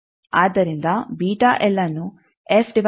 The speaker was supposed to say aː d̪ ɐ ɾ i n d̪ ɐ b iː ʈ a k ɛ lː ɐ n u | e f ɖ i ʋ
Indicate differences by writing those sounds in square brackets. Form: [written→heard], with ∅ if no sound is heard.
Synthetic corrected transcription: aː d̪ ɐ ɾ i n d̪ ɐ b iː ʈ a [k→ʔ] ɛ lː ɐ n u | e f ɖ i ʋ